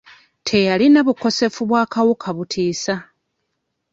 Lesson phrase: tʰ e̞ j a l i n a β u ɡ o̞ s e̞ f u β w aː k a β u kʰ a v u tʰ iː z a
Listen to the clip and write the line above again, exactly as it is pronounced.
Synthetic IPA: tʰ e̞ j a l i n a β u k o̞ s e̞ f u β w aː k a w u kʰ a β u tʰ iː s a